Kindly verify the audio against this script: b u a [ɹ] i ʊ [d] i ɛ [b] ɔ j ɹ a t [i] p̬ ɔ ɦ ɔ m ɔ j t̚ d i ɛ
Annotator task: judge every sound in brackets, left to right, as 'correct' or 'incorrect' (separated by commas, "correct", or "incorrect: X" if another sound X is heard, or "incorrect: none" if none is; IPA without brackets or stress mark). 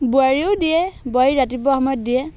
correct, correct, correct, correct